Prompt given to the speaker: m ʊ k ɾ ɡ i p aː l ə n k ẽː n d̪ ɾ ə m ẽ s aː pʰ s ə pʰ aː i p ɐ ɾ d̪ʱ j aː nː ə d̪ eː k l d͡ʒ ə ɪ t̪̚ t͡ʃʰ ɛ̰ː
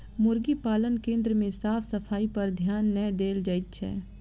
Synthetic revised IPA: m ʊ ɾ ɡ i p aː l ə n k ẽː n d̪ ɾ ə m ẽ s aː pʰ s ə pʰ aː i p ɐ ɾ d̪ʱ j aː nː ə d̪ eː l d͡ʒ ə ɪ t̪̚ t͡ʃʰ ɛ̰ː